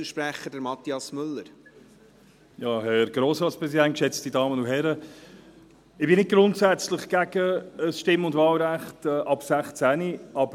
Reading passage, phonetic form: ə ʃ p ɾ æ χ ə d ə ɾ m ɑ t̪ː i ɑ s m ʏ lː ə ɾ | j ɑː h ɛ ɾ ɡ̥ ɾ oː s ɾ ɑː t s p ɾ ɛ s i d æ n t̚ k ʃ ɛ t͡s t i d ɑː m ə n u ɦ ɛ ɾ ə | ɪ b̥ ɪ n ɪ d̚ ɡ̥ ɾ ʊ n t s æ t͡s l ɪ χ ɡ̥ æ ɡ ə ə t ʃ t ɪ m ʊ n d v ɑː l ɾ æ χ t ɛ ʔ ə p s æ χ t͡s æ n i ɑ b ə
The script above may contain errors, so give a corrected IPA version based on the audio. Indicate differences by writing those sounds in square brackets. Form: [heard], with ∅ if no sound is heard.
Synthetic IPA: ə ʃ p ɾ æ χ ə d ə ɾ m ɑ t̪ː i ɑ s m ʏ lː ə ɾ | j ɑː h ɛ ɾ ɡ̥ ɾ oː s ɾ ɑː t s p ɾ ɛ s i d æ n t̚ k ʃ ɛ t͡s t i d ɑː m ə n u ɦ ɛ ɾ ə | ɪ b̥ ɪ n ɪ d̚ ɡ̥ ɾ ʊ n t s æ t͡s l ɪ χ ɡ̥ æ ɡ ə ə [s] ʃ t ɪ m ʊ n d v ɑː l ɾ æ χ t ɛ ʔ [ɑ] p s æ χ t͡s æ n i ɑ b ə